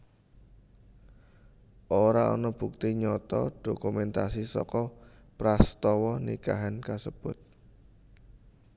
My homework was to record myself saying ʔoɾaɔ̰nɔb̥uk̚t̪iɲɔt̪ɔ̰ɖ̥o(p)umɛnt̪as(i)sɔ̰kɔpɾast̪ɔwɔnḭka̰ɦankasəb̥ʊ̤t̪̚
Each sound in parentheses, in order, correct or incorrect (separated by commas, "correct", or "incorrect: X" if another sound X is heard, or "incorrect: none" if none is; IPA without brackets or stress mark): incorrect: k, correct